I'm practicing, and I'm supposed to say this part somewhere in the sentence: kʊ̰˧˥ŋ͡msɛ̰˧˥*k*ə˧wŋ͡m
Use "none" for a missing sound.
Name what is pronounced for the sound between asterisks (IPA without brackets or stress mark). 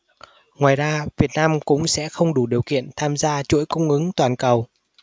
x